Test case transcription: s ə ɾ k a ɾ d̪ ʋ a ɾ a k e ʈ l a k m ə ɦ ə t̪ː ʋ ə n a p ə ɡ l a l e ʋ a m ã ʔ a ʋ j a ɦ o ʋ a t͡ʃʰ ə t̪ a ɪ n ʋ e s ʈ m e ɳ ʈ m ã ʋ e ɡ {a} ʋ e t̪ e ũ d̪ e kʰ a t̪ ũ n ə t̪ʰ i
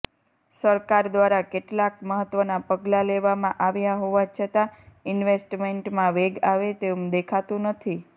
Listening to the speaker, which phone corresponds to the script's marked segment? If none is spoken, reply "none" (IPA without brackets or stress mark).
a